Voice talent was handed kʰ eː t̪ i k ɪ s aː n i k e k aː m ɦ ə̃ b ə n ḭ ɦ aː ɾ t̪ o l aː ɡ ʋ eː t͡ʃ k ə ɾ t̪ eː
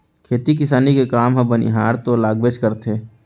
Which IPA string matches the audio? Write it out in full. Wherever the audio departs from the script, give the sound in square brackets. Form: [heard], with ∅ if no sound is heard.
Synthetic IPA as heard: kʰ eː t̪ i k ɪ s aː n i k e k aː m ɦ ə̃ b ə n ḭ ɦ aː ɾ t̪ o l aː ɡ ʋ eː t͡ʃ k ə ɾ t̪ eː